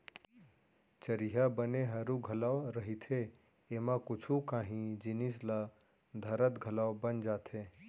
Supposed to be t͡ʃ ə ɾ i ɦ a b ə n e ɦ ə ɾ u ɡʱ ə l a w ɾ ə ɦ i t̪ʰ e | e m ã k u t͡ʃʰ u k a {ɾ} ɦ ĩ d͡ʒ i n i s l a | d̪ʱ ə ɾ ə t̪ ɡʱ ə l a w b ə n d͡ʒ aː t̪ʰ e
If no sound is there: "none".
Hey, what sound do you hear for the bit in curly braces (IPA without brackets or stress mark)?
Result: none